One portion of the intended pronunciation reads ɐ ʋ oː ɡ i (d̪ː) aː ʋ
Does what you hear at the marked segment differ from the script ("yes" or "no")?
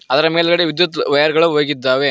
no